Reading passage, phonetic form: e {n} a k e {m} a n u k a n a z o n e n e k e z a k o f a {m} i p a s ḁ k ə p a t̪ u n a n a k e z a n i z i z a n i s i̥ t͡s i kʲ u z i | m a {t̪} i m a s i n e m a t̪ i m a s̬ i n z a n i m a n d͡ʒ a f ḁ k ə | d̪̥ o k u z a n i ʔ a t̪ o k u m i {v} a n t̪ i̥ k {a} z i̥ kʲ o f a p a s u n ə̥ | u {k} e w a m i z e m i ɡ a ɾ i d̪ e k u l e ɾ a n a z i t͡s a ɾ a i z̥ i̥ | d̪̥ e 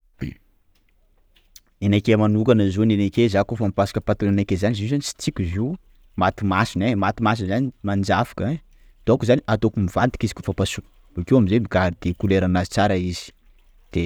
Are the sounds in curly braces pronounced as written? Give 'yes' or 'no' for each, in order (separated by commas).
yes, yes, yes, yes, yes, no, yes